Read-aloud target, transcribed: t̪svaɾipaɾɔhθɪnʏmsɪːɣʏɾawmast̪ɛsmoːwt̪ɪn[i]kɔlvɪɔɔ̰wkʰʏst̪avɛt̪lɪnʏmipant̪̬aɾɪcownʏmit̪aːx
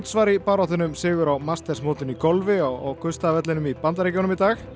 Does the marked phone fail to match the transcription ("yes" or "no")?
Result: no